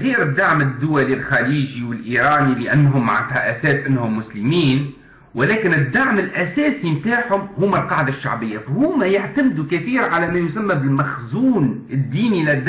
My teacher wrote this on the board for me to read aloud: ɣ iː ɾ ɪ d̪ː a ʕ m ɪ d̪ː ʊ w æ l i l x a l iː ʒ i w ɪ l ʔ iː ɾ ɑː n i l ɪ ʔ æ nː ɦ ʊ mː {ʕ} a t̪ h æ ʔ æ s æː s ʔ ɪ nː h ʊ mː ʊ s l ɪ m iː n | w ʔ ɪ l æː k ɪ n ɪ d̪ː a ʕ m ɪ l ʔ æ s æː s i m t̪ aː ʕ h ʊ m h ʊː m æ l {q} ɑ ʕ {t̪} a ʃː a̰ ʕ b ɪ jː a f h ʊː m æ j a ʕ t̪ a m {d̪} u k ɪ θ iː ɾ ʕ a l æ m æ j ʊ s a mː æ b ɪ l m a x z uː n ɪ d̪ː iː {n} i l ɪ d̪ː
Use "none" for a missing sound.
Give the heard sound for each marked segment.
ʕ, q, d̪, d̪, n

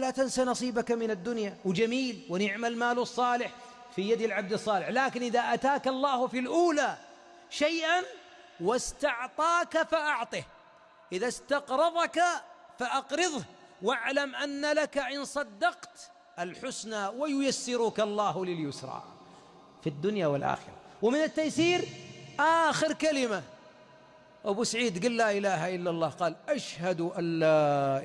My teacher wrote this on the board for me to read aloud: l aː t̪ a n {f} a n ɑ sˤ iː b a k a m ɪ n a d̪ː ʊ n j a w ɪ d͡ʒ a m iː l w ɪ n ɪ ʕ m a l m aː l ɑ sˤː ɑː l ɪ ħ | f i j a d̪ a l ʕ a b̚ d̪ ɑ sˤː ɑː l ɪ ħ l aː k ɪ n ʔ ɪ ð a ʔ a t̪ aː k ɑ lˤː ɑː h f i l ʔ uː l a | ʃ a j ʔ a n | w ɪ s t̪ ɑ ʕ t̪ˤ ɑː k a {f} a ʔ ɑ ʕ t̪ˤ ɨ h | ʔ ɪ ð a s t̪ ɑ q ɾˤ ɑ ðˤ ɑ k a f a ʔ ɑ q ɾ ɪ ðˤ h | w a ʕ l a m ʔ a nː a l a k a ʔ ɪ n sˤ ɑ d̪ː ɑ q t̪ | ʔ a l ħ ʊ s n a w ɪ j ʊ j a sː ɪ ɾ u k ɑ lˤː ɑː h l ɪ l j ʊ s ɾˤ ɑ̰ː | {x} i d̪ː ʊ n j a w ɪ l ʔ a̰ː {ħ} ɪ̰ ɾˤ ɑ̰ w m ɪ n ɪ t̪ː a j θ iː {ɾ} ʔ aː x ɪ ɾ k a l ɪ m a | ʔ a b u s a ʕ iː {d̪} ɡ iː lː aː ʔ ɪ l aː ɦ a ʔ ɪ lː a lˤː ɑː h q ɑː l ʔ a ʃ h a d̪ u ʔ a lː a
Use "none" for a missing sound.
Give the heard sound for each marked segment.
s, f, f, x, ɾ, d̪

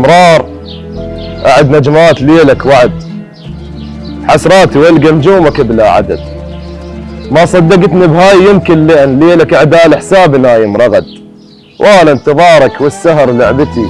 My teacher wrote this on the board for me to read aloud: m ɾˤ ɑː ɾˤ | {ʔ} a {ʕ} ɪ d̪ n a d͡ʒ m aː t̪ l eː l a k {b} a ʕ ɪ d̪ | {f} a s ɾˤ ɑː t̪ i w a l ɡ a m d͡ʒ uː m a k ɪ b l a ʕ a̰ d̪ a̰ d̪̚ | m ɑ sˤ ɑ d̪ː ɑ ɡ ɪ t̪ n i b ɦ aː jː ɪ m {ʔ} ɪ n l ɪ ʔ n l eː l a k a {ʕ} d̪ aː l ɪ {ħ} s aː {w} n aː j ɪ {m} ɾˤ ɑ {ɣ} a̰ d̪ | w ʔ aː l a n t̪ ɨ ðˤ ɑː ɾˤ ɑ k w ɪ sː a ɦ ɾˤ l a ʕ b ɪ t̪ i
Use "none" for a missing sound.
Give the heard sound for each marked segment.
ʔ, ʕ, w, ħ, k, ʕ, ħ, b, m, ɣ

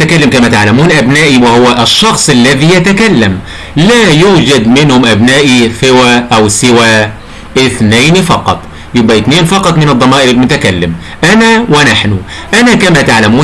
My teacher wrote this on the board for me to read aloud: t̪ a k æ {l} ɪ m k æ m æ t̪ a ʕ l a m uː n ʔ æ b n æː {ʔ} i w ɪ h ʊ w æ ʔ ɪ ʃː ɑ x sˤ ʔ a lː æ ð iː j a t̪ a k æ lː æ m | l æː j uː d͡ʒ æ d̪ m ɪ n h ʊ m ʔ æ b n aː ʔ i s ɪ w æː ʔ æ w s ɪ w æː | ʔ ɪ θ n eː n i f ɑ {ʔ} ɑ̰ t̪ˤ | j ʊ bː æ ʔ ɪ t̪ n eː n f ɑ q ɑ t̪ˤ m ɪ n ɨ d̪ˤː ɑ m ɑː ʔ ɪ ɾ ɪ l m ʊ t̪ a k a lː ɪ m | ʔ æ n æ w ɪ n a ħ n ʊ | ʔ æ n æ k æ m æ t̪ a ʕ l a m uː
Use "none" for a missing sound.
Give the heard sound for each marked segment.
lː, ʔ, q

